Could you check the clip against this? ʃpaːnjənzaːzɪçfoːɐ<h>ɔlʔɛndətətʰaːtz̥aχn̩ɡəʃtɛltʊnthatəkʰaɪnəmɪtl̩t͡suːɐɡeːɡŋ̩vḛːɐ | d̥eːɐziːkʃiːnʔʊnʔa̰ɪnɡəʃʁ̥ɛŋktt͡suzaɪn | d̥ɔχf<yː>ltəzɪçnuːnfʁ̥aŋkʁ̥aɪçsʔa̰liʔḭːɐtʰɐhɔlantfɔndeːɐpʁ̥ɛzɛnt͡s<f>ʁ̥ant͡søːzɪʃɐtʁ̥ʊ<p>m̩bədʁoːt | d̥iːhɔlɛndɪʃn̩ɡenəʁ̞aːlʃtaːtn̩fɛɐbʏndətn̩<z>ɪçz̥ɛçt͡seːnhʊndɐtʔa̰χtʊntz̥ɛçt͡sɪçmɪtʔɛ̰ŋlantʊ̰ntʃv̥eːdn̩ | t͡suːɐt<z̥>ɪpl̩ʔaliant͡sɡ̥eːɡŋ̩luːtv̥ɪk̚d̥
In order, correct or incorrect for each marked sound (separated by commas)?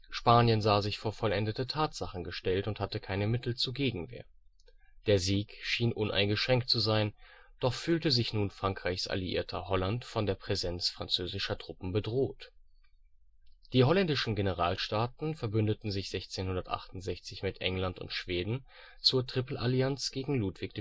incorrect, correct, correct, correct, correct, incorrect